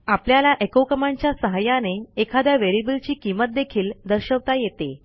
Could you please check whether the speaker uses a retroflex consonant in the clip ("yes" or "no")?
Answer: no